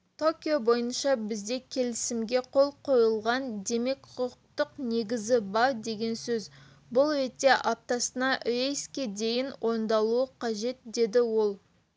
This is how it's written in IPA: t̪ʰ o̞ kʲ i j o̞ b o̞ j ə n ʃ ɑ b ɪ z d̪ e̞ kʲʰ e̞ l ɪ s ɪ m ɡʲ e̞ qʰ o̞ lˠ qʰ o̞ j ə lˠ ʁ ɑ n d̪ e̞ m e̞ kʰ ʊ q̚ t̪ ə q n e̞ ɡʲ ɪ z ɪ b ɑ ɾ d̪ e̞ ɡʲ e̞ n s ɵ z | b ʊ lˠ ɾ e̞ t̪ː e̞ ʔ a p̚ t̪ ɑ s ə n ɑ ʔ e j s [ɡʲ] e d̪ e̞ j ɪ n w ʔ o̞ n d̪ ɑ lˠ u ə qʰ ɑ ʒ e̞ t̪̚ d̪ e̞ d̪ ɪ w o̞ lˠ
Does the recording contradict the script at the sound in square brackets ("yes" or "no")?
yes